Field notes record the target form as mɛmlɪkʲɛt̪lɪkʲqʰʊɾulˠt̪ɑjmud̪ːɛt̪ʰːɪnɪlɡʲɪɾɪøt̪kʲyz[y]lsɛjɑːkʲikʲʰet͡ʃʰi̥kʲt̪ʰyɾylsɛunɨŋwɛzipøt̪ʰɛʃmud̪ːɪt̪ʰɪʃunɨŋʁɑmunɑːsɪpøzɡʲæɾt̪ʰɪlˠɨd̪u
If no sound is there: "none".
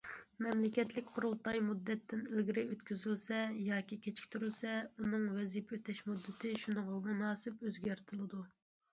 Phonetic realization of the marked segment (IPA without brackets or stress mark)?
y